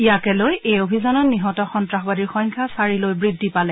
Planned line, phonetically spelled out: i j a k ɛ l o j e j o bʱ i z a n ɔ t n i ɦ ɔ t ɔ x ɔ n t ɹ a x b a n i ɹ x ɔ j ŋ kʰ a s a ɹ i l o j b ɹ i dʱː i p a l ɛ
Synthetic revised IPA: i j a k ɛ l o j e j o bʱ i z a n ɔ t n i ɦ ɔ t ɔ x ɔ n t ɹ a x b a d i ɹ x ɔ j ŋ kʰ a s a ɹ i l o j b ɹ i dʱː i p a l ɛ